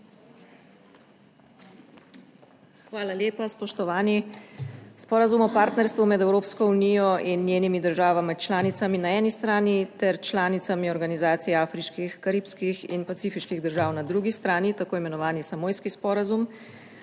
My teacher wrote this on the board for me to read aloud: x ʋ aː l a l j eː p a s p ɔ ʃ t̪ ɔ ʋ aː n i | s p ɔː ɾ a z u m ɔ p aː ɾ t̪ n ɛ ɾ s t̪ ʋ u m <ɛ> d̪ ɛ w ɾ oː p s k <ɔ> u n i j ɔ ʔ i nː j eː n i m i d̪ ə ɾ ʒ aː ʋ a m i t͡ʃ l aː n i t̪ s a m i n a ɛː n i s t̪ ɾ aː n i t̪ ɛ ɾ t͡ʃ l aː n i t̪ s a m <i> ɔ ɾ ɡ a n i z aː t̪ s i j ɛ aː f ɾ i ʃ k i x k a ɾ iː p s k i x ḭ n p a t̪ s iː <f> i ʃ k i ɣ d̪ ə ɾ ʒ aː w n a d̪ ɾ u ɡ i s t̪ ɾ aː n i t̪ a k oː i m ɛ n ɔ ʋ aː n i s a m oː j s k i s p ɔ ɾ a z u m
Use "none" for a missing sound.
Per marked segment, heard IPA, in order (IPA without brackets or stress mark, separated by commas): ɛ, ɔ, i, f